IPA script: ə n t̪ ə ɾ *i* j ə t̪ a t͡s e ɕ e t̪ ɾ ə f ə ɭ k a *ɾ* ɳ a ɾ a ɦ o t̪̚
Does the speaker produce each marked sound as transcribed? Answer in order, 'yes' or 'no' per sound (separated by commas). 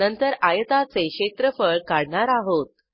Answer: no, no